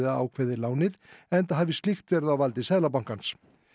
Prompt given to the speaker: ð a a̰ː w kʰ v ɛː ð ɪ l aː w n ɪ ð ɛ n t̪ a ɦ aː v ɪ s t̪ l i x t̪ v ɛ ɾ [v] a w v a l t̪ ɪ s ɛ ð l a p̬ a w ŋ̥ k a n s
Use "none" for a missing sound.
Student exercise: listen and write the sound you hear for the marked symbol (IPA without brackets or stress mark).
ð